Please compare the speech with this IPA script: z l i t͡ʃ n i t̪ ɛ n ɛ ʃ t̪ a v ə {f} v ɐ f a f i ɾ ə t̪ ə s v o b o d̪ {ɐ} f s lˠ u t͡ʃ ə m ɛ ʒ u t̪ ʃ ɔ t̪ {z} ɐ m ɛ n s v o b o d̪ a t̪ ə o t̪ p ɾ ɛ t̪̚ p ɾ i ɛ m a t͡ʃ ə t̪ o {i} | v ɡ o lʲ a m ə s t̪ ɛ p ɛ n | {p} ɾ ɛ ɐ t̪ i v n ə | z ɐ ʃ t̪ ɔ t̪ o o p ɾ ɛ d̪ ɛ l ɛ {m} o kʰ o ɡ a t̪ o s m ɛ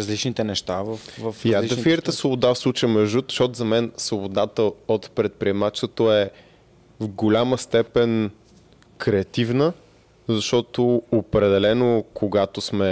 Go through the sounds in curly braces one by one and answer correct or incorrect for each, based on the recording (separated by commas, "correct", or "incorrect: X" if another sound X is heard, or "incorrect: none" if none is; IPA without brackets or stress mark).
correct, incorrect: a, correct, incorrect: ɛ, incorrect: k, incorrect: n